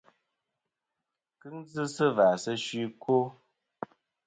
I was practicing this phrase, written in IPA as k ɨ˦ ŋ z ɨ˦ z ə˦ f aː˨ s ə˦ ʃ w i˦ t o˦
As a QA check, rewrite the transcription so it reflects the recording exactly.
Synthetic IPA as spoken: k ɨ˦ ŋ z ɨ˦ s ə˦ v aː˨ s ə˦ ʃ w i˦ k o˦